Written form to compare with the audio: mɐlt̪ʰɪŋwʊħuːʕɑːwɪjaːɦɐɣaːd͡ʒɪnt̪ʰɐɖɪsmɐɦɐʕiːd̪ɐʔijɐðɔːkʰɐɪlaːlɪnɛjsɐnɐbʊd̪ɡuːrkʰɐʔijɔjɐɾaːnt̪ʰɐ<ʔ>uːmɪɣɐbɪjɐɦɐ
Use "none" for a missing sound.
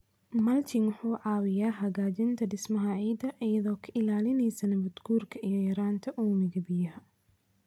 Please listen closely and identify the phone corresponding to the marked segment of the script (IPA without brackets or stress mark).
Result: ʔ